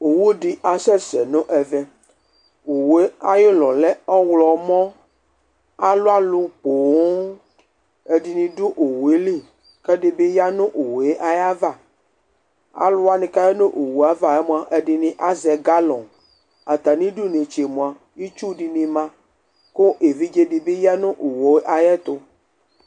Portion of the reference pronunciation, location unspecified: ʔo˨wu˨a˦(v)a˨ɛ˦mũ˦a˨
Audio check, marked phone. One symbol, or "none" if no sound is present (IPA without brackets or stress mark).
v